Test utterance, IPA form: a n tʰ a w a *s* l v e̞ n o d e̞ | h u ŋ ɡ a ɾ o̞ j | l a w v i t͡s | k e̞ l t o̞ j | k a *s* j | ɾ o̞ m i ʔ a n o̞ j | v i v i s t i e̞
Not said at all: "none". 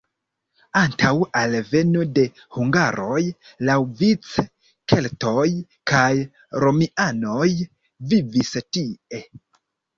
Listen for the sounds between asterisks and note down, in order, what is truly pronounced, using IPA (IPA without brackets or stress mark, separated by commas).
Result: none, none